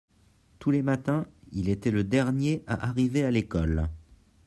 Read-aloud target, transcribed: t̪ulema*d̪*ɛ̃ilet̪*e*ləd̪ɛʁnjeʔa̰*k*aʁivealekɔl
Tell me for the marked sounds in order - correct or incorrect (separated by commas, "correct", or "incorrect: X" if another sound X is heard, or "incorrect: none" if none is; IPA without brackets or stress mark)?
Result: incorrect: t̪, incorrect: ɛ, incorrect: ʔ